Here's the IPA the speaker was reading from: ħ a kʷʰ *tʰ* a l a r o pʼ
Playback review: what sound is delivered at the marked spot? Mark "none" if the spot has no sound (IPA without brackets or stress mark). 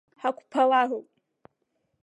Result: pʰ